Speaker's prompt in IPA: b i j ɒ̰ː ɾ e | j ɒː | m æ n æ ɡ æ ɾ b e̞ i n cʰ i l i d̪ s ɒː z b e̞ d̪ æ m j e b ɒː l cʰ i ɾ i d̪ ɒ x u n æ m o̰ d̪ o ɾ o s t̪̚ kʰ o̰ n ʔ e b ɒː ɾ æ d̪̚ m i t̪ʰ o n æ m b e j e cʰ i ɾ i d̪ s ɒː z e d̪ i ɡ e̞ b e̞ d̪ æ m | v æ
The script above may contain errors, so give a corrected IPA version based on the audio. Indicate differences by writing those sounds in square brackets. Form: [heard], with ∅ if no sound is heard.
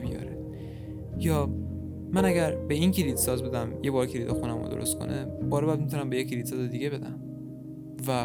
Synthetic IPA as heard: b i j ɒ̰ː ɾ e | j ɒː | m æ n æ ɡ æ ɾ b e̞ i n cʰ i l i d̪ s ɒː z b e̞ d̪ æ m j e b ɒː [ɾ] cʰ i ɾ i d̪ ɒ x u n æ m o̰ d̪ o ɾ o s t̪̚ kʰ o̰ n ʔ e b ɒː ɾ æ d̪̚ m i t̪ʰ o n æ m b e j e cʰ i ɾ i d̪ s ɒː z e d̪ i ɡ e̞ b e̞ d̪ æ m | v æ